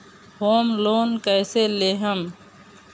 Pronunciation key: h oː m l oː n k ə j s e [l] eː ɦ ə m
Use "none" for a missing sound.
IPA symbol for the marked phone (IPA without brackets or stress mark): l